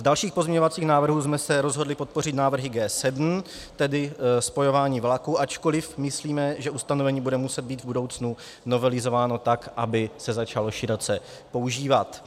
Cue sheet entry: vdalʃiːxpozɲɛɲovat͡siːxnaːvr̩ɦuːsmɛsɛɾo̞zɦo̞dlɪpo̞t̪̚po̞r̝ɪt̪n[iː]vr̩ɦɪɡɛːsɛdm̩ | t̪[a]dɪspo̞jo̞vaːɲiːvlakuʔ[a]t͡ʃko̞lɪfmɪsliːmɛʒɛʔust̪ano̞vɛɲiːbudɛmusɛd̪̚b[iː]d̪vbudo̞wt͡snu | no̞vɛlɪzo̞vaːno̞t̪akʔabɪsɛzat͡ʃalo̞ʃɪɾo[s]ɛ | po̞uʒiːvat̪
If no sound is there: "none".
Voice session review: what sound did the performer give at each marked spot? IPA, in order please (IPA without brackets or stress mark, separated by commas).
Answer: aː, ɛ, a, iː, t͡s